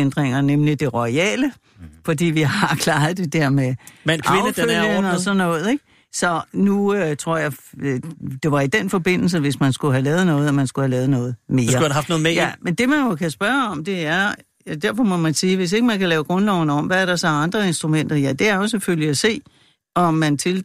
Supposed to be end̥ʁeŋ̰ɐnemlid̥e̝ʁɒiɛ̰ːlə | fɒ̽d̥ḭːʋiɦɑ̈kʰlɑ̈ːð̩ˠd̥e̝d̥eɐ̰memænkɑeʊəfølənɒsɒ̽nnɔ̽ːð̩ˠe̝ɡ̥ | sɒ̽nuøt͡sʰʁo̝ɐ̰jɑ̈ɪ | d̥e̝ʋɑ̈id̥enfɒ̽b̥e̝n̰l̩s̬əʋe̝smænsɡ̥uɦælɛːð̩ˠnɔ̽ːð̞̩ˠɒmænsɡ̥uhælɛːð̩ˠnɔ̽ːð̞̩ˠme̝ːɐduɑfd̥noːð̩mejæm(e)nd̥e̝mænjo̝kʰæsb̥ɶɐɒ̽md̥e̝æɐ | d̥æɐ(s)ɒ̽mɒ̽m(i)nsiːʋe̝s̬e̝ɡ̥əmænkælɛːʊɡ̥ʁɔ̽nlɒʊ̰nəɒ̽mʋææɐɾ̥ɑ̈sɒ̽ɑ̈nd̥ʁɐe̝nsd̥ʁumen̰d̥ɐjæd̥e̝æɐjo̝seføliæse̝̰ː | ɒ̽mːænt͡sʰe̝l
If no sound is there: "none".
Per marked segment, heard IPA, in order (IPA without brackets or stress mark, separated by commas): e, f, æ